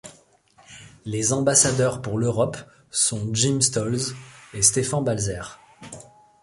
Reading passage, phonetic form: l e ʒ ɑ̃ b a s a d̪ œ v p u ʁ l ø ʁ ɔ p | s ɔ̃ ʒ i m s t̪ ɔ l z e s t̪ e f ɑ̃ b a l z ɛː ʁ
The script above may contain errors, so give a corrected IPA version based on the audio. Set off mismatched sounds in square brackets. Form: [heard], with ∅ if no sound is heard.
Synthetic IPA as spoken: l e [z] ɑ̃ b a s a d̪ œ [ʁ] p u ʁ l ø ʁ ɔ p | s ɔ̃ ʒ i m s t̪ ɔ l z e s t̪ e f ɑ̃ b a l z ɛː ʁ